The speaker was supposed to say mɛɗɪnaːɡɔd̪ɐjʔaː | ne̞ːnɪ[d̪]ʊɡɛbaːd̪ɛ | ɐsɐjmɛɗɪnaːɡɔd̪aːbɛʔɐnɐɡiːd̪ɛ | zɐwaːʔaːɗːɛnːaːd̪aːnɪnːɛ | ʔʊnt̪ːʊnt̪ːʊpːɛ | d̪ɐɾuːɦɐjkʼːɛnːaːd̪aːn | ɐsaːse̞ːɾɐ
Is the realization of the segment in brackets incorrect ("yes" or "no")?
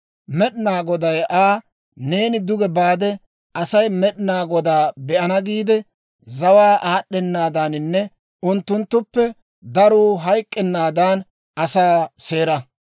no